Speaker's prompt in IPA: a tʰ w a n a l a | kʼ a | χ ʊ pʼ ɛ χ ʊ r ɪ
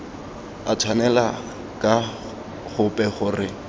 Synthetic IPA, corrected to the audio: a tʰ w a n ɛ l a | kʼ a | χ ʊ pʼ ɛ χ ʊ r ɪ

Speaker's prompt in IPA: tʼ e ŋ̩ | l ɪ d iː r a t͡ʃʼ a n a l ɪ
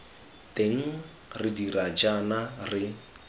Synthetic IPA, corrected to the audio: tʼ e ŋ̩ | r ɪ d i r a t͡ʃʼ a n a r ɪ

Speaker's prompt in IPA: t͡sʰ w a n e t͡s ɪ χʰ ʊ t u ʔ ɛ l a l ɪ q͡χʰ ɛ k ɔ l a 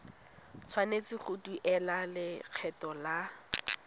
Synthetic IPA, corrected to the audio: t͡sʰ w a n e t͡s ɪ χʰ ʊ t u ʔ ɛ l a l ɪ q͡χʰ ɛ t ɔ l a

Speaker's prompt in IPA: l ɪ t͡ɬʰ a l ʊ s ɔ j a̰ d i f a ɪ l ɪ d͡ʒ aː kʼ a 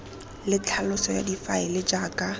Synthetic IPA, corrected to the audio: l ɪ t͡ɬʰ a l ʊ s ɔ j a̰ d i f a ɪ l ɪ d͡ʒ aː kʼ a

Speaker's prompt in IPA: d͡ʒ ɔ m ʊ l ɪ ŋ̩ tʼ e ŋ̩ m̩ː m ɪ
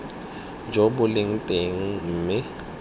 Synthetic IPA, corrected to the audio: d͡ʒ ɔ b ʊ l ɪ ŋ̩ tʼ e ŋ̩ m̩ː m ɪ

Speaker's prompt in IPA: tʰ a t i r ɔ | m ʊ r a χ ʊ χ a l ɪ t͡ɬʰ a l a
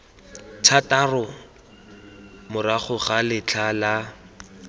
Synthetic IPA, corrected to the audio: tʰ a t a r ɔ | m ʊ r a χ ʊ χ a l ɪ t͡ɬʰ a l a

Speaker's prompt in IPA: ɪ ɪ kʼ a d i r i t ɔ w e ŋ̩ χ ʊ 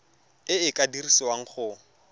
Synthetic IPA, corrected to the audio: ɪ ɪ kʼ a d i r i s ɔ w a ŋ̩ χ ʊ

